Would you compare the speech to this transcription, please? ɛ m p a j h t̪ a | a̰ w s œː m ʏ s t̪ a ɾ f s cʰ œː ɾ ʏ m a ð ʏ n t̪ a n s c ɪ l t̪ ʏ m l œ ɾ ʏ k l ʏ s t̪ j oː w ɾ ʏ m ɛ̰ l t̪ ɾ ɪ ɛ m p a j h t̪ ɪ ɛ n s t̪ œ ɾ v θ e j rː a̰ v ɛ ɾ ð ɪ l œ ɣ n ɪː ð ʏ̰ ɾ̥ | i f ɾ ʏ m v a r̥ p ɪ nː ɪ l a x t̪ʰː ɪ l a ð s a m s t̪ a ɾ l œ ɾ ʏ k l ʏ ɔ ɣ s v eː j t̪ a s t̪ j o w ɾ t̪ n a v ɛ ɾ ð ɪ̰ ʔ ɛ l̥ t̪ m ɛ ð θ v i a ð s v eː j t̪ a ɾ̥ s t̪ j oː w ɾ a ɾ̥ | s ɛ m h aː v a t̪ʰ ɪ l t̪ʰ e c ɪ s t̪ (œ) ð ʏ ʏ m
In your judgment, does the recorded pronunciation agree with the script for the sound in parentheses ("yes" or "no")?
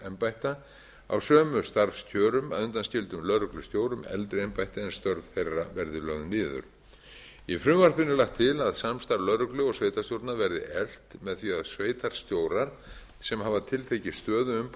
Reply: no